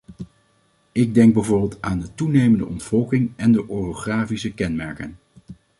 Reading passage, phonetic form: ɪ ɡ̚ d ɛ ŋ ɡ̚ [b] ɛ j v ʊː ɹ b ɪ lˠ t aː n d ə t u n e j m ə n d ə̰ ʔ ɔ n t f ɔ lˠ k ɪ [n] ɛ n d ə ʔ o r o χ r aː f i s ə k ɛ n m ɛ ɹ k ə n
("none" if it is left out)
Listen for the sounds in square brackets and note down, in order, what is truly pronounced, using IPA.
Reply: b, ŋ

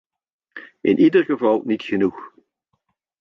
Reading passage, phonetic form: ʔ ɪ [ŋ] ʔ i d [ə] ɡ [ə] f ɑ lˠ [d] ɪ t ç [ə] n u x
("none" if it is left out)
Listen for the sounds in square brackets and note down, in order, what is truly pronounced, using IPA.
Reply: n, ə, ə, n, ə

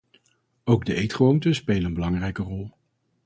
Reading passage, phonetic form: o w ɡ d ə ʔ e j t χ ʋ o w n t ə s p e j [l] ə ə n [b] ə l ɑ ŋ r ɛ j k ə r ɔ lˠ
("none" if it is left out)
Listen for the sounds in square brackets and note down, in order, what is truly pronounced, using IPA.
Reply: l, b

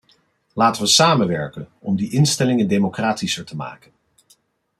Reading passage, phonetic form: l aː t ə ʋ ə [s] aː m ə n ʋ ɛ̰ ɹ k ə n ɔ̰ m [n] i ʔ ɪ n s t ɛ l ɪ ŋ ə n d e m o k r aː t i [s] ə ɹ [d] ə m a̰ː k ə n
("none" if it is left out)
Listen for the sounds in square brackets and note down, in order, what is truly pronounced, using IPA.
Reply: s, d, s, t

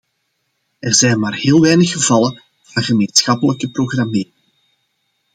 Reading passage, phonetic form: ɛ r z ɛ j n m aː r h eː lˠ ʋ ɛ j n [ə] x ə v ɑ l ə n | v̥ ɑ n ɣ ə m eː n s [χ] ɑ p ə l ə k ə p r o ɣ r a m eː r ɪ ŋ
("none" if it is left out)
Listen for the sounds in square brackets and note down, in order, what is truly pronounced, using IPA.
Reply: ə, x

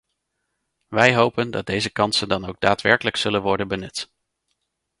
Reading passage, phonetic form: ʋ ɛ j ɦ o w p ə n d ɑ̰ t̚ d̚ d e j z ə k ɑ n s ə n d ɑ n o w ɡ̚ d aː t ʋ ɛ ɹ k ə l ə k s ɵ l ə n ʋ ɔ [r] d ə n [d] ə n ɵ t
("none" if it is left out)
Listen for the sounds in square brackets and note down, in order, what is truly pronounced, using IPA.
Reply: ɹ, b

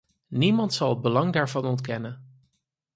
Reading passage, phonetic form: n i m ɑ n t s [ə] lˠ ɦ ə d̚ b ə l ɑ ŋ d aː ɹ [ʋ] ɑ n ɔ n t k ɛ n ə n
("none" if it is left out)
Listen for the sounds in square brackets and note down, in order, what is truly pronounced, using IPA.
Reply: ɑ, v

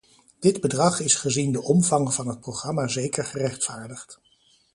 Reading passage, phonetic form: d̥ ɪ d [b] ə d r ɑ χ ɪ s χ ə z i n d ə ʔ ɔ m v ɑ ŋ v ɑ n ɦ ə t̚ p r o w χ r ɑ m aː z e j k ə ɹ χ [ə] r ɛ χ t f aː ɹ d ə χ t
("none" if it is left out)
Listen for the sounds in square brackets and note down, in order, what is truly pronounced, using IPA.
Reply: b, ə

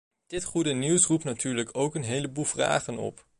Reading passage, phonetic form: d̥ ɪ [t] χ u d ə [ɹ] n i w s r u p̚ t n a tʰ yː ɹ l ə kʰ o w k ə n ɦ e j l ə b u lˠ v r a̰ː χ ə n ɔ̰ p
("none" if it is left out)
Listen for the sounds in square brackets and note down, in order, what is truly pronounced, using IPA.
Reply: t, none

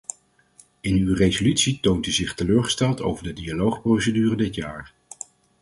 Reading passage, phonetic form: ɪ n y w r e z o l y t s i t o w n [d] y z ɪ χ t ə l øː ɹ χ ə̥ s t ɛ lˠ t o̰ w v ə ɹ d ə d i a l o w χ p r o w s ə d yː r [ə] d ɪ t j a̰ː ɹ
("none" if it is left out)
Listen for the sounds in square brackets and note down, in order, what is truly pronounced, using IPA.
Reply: t, ə

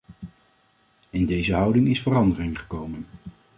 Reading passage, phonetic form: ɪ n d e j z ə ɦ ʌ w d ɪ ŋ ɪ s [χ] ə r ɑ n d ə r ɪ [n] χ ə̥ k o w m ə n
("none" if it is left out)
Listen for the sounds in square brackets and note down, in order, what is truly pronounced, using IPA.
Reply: f, ŋ

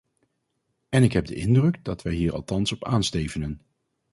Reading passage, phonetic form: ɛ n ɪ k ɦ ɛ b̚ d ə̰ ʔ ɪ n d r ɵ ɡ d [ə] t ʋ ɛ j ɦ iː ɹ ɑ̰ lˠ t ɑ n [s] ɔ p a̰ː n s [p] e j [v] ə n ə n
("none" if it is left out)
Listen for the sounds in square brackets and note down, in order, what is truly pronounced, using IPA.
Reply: ɑ, s, t, v

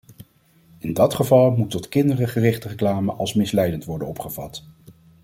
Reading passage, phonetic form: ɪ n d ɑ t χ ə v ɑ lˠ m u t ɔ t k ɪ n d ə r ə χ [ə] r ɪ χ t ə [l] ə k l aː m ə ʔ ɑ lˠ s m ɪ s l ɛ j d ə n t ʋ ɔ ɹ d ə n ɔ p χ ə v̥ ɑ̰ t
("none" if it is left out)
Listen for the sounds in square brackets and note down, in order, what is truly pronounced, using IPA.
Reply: ə, r

